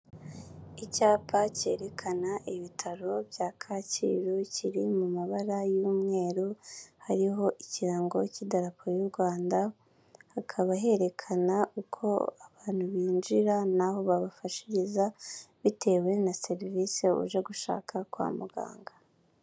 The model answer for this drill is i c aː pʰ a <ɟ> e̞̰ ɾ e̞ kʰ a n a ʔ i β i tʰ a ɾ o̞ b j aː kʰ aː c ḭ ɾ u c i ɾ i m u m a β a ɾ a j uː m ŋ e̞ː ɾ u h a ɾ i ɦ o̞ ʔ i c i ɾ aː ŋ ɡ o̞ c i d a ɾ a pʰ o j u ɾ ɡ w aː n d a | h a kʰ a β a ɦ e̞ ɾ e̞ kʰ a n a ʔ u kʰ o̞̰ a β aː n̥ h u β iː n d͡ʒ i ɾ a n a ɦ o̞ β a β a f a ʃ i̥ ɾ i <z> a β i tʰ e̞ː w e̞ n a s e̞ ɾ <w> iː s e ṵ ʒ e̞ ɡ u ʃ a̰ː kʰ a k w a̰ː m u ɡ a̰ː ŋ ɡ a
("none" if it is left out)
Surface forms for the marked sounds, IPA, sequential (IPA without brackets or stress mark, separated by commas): c, z, v